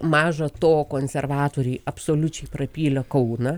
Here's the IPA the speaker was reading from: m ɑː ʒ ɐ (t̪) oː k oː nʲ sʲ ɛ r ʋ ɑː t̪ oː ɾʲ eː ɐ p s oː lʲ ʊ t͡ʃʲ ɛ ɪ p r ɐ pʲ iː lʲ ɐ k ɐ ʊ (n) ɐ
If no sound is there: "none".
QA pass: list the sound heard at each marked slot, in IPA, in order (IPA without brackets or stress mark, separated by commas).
t̪, n